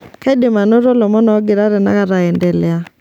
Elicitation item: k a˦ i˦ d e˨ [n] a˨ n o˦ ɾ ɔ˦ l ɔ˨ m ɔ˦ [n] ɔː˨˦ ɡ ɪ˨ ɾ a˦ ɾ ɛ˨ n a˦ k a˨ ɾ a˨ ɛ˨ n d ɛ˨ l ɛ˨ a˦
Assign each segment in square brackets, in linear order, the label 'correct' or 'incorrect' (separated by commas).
incorrect, correct